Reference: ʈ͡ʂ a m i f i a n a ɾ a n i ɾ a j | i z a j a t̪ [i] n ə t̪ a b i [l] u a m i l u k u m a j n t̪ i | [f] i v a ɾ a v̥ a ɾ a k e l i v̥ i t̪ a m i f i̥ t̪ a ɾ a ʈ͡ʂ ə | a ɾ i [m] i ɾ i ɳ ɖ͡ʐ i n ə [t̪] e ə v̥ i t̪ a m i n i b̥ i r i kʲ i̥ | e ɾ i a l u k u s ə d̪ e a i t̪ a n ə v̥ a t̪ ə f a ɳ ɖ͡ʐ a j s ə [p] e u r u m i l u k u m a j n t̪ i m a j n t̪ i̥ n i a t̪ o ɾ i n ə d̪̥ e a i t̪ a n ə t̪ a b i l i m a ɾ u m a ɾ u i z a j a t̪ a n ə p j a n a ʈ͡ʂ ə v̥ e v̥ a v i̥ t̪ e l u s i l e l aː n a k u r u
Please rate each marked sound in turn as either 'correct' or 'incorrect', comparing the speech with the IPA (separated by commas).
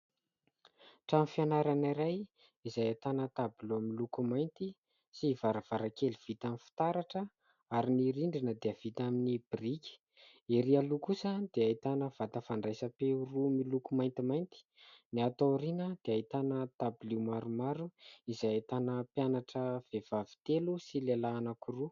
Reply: incorrect, correct, incorrect, incorrect, incorrect, correct